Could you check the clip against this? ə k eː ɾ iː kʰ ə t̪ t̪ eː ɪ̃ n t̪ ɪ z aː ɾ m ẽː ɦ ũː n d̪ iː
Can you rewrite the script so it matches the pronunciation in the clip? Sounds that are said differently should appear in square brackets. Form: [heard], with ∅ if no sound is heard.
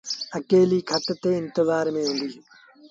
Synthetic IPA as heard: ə k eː [l] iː kʰ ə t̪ t̪ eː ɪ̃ n t̪ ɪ z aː ɾ m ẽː ɦ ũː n d̪ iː